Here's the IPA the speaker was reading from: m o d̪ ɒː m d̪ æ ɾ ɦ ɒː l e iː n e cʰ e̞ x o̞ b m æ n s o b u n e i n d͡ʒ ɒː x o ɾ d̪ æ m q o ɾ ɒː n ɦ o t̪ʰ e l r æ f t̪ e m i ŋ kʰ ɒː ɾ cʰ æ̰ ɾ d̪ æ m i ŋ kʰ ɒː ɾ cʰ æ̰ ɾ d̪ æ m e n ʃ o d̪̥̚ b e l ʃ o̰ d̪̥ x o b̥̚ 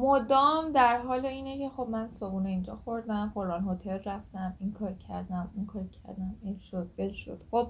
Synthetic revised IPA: m o d̪ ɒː m d̪ æ ɾ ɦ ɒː l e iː n e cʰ e̞ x o̞ b m æ n s o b u n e i n d͡ʒ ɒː x o ɾ d̪ æ m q o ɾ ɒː n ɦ o t̪ʰ e l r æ f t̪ æ m i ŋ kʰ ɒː ɾ cʰ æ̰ ɾ d̪ æ m i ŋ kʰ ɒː ɾ cʰ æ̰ ɾ d̪ æ m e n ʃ o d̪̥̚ b e l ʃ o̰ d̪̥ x o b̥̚